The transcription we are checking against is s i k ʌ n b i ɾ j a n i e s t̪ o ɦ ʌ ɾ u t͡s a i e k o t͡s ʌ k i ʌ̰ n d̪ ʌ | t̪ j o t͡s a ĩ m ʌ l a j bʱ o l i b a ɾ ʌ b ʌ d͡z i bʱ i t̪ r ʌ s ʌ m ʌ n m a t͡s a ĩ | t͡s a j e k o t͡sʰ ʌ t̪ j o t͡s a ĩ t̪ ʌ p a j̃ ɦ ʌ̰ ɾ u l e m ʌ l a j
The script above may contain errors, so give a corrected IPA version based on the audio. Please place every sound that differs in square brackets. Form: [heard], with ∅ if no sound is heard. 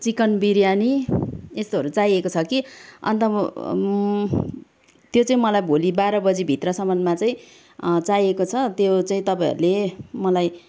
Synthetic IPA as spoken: [t͡s] i k ʌ n b i ɾ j a n i e s t̪ o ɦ ʌ ɾ u t͡s a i e k o [t͡sʰ] ʌ k i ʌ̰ n [t̪] ʌ | t̪ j o t͡s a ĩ m ʌ l a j bʱ o l i b a ɾ ʌ b ʌ d͡z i bʱ i t̪ r ʌ s ʌ m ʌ n m a t͡s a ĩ | t͡s a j e k o t͡sʰ ʌ t̪ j o t͡s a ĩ t̪ ʌ p a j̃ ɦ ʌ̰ ɾ u l e m ʌ l a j